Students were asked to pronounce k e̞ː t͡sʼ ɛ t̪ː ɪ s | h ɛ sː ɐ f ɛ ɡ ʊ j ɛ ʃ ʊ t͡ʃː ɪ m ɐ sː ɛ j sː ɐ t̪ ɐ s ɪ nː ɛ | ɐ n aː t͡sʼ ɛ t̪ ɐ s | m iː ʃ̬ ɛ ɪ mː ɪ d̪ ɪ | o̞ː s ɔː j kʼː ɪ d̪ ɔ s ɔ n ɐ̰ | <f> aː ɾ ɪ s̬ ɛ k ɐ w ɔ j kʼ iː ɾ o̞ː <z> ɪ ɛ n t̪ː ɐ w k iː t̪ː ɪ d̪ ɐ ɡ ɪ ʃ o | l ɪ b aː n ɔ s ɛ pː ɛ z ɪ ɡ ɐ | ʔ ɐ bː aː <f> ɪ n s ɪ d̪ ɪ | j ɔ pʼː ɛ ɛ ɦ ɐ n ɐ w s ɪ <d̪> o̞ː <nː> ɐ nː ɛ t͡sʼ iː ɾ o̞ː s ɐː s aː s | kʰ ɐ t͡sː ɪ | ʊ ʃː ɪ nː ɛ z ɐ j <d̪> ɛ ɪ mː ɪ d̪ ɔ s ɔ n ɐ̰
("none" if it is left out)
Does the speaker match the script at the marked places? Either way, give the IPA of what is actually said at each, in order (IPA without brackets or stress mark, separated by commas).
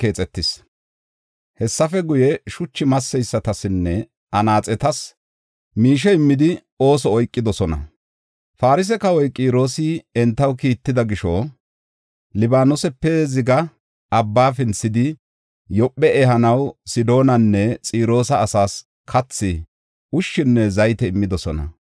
f, s, f, d̪, n, t̪